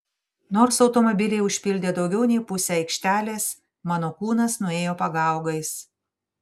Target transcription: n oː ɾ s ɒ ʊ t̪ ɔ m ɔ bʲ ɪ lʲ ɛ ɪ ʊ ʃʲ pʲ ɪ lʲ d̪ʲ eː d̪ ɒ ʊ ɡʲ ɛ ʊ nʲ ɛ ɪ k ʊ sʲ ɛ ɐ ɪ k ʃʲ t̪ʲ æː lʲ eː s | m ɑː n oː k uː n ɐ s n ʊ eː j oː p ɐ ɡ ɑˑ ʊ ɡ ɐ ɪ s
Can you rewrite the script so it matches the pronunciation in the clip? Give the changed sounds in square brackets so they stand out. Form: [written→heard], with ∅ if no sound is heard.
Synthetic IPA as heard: n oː ɾ s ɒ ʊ t̪ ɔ m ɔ bʲ ɪ lʲ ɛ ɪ ʊ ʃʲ pʲ ɪ lʲ d̪ʲ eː d̪ ɒ ʊ ɡʲ ɛ ʊ nʲ ɛ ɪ [k→p] ʊ sʲ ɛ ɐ ɪ k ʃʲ t̪ʲ æː lʲ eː s | m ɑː n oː k uː n ɐ s n ʊ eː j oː p ɐ ɡ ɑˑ ʊ ɡ ɐ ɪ s